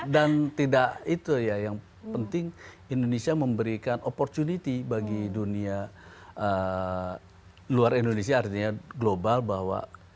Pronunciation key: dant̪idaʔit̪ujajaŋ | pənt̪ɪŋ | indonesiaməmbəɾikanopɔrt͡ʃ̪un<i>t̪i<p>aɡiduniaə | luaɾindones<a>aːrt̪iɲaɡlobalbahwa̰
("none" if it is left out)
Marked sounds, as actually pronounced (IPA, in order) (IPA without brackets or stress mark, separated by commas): i, b, i